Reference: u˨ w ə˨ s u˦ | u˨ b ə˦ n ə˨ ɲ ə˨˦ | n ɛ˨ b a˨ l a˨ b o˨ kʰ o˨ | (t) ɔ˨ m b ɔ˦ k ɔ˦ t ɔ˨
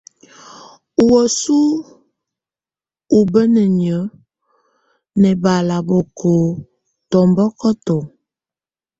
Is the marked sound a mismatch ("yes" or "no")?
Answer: no